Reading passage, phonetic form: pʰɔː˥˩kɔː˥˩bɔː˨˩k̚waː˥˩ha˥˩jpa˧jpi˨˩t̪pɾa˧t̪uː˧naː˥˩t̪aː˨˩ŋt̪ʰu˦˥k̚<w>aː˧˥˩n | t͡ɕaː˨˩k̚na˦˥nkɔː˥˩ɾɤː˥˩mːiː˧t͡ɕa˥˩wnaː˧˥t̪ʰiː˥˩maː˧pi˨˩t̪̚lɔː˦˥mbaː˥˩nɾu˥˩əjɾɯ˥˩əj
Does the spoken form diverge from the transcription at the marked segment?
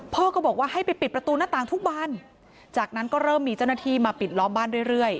yes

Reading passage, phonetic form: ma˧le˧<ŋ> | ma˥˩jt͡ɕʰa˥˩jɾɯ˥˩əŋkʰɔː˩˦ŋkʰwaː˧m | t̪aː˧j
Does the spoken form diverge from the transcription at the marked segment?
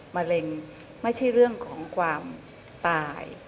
no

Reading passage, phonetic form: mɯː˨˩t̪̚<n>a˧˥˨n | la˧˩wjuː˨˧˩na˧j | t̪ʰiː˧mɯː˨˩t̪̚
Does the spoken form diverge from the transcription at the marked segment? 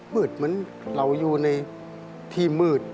yes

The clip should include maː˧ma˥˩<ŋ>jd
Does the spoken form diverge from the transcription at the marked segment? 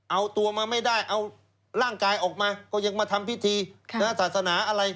yes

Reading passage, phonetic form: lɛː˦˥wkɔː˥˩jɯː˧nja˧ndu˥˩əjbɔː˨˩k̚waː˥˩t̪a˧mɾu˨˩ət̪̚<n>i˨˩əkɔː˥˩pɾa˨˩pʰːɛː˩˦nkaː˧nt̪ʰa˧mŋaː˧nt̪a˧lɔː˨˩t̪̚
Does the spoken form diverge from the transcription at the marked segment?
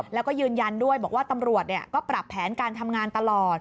no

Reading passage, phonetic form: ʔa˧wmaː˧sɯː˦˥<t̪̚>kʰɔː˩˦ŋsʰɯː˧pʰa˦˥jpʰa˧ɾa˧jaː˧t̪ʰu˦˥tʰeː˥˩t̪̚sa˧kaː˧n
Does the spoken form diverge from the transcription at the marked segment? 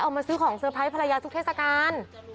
yes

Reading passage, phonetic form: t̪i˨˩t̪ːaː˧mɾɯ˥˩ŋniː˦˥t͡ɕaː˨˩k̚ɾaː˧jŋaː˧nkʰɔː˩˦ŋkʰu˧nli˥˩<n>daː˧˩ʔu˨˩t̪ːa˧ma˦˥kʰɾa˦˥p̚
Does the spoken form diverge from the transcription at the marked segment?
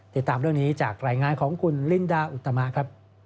no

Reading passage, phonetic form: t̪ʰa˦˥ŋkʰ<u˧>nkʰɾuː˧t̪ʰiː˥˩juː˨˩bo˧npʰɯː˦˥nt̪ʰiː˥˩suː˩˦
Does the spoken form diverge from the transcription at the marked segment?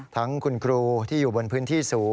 no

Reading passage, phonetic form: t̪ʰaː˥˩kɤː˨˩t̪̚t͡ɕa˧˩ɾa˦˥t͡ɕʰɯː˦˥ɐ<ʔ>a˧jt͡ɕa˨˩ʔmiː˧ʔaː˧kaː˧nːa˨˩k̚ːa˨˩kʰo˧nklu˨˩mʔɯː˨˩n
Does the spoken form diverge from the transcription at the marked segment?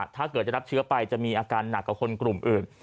yes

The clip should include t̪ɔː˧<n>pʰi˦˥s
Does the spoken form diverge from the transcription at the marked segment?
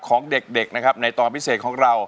no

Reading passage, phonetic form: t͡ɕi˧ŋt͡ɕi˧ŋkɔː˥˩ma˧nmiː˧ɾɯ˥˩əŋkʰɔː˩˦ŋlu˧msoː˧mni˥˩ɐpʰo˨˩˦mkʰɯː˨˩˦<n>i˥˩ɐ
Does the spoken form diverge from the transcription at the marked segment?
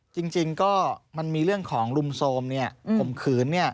yes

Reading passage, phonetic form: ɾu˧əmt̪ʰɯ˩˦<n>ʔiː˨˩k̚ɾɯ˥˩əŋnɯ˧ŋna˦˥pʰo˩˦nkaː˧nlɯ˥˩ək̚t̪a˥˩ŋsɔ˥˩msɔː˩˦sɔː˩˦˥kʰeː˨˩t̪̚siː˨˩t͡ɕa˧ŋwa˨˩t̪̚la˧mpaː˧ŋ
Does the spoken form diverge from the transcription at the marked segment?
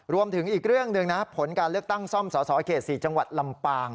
yes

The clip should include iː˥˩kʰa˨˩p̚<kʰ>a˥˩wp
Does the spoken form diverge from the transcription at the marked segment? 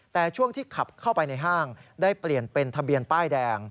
no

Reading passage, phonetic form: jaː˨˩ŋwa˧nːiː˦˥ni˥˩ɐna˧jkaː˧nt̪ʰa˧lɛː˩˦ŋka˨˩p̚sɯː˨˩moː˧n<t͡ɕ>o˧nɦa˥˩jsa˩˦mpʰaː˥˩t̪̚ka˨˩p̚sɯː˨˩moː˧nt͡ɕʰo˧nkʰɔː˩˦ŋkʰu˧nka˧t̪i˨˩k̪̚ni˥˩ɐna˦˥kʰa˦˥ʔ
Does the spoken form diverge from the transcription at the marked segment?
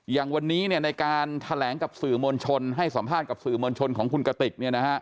yes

